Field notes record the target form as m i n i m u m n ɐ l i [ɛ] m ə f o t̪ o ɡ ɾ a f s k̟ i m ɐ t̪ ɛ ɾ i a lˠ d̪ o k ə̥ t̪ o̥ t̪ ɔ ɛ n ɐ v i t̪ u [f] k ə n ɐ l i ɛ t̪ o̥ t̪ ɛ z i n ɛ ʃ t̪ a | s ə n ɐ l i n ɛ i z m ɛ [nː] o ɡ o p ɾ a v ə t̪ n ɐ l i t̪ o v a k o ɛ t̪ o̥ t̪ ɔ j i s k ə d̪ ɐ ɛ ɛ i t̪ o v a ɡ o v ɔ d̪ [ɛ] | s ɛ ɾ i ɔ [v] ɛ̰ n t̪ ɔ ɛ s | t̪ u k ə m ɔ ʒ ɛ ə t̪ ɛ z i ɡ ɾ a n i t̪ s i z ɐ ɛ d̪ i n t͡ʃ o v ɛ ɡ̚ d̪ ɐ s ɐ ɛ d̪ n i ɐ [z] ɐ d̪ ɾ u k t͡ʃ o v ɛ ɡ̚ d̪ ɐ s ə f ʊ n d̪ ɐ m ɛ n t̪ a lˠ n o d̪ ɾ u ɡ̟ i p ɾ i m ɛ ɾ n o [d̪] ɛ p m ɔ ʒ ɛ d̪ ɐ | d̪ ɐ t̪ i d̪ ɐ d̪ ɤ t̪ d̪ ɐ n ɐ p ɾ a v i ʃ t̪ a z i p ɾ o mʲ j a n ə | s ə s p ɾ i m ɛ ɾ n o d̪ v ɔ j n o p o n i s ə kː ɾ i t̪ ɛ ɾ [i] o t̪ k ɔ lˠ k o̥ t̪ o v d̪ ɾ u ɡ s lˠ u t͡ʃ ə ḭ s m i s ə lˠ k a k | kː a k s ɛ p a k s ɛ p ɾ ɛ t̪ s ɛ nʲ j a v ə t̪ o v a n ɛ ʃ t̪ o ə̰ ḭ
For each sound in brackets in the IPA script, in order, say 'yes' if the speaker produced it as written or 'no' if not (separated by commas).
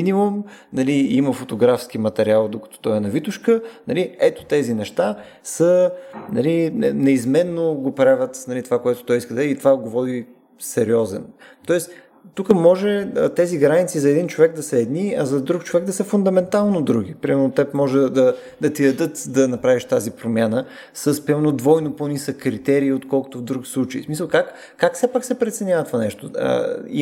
no, no, yes, no, no, yes, no, no